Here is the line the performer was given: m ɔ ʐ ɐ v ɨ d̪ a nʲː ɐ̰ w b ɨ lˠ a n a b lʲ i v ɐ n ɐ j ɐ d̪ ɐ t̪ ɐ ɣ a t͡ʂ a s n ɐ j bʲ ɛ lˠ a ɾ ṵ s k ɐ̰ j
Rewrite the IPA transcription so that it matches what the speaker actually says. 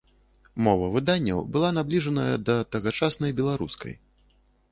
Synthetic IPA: m ɔ v ɐ v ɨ d̪ a nʲː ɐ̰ w b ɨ lˠ a n a b lʲ i ʐ ɐ n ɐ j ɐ d̪ ɐ t̪ ɐ ɣ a t͡ʂ a s n ɐ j bʲ ɛ lˠ a ɾ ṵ s k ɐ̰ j